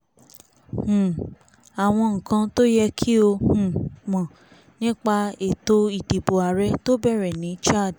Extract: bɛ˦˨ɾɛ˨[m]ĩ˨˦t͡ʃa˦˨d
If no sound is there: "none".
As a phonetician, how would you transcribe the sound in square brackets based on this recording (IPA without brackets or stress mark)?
n